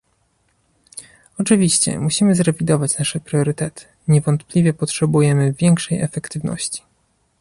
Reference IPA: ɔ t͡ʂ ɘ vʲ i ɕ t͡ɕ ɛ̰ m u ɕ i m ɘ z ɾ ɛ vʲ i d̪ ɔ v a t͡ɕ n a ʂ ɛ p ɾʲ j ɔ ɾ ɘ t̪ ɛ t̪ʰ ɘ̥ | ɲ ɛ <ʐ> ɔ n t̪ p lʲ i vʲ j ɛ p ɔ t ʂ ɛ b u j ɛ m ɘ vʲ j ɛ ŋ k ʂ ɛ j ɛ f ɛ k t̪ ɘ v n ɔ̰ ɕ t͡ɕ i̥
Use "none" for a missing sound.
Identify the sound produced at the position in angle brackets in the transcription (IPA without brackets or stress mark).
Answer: v